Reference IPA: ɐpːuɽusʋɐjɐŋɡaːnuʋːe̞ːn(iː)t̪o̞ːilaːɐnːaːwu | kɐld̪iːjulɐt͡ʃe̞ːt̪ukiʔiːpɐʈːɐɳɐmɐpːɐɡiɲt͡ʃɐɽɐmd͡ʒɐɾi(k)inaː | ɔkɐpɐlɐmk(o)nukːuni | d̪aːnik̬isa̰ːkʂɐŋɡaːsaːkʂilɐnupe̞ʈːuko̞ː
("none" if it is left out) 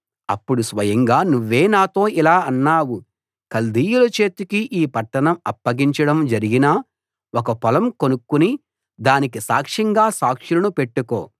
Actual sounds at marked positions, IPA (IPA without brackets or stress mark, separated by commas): aː, ɡ, o